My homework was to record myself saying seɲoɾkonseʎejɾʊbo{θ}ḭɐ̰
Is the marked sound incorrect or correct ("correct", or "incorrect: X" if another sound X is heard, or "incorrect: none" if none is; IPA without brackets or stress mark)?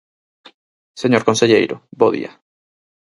incorrect: ð